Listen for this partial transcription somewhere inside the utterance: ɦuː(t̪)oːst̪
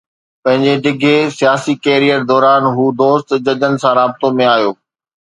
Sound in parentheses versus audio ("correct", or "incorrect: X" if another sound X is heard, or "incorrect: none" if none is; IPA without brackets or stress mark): incorrect: d̪